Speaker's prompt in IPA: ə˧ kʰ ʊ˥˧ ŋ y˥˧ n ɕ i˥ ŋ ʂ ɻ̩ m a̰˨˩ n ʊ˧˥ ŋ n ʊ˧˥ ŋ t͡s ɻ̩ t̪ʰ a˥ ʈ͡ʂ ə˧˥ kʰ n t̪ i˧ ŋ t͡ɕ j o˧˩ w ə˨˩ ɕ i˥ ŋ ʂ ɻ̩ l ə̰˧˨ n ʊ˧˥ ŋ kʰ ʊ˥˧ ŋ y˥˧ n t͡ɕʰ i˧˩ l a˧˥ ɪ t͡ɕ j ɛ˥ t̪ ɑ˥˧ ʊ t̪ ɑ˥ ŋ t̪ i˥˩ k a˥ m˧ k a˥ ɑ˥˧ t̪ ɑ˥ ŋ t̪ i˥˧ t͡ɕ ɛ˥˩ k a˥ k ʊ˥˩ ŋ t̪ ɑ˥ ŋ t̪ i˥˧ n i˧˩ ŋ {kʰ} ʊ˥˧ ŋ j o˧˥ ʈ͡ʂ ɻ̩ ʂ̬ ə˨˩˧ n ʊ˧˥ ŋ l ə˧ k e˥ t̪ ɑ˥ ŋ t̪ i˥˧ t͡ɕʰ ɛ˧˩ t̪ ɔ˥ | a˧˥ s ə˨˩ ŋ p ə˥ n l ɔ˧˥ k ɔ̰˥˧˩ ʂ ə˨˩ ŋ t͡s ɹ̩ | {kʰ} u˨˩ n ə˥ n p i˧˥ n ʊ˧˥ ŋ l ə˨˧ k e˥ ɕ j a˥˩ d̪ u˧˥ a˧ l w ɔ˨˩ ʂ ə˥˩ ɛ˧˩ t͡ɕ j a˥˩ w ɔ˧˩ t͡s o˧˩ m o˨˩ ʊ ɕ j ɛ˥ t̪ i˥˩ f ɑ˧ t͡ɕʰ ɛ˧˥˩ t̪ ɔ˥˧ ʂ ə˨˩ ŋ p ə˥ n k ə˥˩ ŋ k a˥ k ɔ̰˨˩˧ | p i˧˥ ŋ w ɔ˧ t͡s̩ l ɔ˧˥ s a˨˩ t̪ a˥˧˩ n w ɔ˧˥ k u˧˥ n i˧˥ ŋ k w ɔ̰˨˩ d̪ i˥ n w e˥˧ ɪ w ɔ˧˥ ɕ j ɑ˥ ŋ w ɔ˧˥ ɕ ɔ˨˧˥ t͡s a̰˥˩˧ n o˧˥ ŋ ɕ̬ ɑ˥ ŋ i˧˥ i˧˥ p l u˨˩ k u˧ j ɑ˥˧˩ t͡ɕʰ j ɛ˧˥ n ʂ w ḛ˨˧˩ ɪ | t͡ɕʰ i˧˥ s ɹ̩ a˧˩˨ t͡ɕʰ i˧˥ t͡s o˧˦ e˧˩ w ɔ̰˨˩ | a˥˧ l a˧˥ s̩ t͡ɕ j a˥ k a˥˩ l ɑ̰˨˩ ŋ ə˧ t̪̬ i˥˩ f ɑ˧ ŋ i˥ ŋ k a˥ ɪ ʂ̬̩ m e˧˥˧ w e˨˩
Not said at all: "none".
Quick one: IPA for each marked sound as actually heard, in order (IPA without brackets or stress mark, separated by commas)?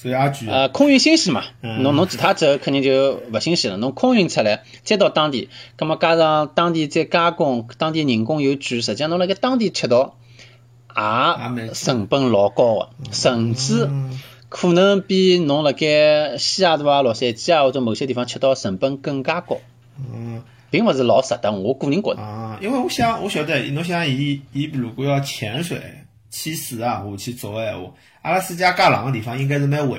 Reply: k, kʰ